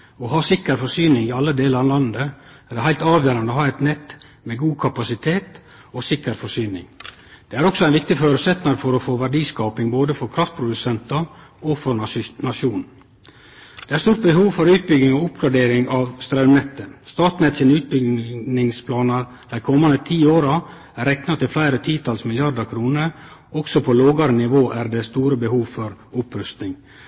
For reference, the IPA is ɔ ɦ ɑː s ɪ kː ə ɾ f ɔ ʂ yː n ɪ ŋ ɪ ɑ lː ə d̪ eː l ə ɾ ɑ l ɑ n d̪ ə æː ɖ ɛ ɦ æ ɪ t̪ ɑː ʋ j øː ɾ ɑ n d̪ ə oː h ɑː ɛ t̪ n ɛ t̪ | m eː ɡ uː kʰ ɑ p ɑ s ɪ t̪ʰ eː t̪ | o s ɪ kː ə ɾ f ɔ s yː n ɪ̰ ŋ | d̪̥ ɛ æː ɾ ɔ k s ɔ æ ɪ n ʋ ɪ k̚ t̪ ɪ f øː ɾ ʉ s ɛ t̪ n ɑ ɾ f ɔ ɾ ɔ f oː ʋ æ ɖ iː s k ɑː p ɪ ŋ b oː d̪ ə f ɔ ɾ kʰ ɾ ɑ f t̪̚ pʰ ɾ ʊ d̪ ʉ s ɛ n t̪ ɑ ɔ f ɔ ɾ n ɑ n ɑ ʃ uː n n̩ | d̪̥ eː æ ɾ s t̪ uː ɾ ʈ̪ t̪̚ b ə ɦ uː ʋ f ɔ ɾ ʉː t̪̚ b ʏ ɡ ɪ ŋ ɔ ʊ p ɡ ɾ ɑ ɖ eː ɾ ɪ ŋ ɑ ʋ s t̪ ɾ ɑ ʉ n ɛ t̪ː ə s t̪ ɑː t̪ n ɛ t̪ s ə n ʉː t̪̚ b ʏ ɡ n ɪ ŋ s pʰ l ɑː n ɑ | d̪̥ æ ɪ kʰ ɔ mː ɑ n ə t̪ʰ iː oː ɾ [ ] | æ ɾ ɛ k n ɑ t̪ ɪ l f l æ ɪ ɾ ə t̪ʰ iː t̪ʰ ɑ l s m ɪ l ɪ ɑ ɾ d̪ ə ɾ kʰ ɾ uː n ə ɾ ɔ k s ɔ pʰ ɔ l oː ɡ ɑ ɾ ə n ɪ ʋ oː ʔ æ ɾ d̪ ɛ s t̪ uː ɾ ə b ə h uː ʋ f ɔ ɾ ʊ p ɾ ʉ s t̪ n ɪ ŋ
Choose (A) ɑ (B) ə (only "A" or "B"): A